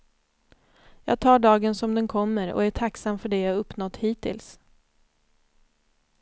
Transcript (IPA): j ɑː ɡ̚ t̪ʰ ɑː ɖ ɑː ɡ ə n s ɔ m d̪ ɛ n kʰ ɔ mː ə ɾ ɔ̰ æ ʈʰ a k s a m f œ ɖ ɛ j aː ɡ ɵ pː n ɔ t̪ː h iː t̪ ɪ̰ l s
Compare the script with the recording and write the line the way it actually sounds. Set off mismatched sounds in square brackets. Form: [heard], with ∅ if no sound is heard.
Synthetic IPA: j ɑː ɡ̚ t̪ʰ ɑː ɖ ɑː ɡ ə n s ɔ m d̪ ɛ n kʰ ɔ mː ə ɾ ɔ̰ æ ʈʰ a k s a m f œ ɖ ɛ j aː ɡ ɵ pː n ɔ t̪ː h iː t̪ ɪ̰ l s